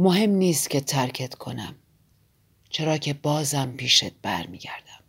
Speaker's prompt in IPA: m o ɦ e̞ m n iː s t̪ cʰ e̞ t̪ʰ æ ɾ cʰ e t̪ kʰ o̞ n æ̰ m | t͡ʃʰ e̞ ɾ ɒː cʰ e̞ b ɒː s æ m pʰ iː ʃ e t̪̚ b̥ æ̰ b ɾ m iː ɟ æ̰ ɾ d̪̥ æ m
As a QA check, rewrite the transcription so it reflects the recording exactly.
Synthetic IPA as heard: m o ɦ e̞ m n iː s t̪ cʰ e̞ t̪ʰ æ ɾ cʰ e t̪ kʰ o̞ n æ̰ m | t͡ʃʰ e̞ ɾ ɒː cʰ e̞ b ɒː z æ m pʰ iː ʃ e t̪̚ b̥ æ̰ ɾ m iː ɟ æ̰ ɾ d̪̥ æ m